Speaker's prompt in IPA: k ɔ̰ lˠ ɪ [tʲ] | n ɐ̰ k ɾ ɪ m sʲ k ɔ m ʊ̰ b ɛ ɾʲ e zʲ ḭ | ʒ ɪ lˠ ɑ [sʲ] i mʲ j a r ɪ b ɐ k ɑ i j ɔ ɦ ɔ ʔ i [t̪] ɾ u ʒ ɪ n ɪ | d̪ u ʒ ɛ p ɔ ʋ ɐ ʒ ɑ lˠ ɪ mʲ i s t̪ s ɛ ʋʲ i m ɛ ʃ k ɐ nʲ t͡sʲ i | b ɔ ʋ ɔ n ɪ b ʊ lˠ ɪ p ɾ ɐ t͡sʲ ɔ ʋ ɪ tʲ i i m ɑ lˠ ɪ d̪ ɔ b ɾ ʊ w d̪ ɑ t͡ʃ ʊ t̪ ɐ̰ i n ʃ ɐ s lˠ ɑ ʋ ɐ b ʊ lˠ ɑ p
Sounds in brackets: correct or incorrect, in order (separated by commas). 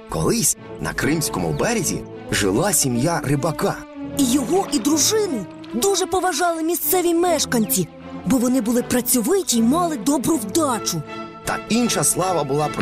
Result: incorrect, correct, incorrect